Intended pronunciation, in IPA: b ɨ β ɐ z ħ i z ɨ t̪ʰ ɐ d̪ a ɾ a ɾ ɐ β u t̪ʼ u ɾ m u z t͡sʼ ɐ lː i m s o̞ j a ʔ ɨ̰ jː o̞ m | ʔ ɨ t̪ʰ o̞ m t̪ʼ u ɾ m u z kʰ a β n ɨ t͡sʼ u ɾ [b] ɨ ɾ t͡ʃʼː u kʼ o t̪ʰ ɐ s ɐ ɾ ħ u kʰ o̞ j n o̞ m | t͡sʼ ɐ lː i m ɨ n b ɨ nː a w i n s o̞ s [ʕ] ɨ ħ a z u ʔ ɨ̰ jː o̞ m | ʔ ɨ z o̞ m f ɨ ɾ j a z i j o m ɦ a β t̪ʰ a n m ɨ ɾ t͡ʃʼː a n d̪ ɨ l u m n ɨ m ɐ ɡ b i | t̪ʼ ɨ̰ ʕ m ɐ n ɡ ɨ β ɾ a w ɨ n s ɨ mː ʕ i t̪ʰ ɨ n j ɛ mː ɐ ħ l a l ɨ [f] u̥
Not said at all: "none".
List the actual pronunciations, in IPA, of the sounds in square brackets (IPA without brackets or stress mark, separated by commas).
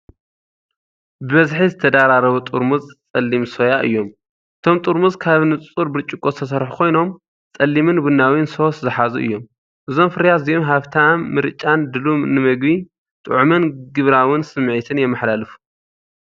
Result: b, z, f